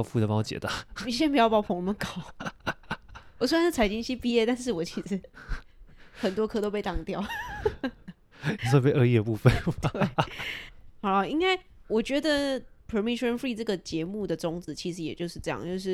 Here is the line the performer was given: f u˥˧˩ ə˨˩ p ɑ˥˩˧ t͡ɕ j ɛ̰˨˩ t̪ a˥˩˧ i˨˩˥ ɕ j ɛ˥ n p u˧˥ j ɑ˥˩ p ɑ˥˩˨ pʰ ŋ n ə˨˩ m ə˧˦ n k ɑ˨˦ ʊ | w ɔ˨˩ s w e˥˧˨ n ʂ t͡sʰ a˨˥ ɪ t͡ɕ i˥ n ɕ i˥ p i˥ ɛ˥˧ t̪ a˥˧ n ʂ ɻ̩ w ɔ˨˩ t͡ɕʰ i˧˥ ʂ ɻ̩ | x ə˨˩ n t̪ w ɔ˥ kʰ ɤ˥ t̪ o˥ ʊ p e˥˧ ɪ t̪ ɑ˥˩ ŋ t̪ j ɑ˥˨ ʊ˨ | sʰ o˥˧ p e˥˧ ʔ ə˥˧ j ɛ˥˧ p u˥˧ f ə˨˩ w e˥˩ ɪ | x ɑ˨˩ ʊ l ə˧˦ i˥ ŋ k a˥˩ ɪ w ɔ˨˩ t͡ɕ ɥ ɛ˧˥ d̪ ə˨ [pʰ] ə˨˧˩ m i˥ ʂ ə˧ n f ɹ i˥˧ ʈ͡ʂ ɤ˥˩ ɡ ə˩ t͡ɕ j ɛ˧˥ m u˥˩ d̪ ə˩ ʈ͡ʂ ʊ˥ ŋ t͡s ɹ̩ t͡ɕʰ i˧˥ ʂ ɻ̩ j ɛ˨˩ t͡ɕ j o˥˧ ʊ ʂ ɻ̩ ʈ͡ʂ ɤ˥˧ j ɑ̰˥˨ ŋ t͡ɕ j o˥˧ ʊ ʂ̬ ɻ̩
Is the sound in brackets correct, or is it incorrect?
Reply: correct